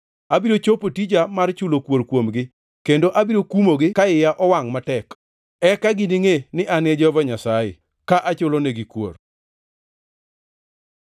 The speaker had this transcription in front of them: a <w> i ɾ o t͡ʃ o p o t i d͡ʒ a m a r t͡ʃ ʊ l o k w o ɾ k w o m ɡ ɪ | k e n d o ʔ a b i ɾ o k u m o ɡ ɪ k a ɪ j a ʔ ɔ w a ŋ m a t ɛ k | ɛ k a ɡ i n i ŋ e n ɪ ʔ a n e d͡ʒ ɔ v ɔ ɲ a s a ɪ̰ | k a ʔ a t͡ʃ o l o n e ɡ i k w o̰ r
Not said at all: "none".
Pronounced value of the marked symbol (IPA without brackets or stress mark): b